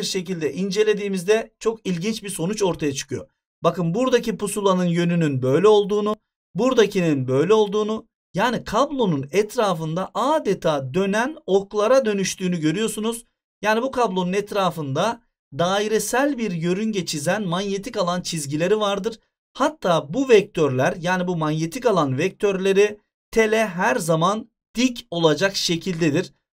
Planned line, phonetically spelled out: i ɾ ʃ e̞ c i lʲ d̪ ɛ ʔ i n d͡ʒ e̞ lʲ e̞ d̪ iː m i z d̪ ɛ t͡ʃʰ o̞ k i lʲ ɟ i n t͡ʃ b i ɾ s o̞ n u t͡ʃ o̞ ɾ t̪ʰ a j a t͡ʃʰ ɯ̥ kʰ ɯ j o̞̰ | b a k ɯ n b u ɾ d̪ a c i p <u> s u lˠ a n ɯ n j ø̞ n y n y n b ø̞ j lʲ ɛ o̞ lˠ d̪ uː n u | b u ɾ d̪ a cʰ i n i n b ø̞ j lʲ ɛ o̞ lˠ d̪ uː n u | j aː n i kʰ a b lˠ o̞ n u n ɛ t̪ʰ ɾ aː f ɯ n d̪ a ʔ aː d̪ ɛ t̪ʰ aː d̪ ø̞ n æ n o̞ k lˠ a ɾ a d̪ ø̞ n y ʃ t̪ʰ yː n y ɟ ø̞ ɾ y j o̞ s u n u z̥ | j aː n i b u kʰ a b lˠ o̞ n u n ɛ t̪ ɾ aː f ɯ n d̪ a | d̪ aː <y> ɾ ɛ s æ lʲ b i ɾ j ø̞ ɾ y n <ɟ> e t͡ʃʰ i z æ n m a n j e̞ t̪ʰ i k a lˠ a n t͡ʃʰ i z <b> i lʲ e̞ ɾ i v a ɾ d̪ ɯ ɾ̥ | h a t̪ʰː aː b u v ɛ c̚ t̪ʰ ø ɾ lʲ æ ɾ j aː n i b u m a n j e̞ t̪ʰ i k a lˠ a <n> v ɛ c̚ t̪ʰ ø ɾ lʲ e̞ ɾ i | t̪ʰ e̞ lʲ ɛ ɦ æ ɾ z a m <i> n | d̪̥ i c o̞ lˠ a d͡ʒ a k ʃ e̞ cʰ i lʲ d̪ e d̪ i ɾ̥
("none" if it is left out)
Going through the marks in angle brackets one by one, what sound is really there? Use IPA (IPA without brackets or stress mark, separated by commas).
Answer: u, i, ɟ, ɟ, n, a